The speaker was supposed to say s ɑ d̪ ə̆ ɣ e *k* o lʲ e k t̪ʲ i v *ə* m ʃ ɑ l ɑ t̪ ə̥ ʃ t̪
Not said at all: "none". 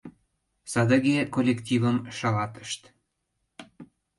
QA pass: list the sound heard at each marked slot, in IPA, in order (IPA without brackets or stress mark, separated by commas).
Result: k, ə